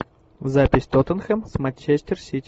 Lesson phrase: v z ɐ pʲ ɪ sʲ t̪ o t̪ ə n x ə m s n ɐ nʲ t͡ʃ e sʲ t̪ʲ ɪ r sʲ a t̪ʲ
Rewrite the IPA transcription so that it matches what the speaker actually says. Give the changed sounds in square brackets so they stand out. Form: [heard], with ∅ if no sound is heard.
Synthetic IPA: v z [a] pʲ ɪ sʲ t̪ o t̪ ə n x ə m s [m] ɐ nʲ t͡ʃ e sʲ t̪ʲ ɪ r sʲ [i] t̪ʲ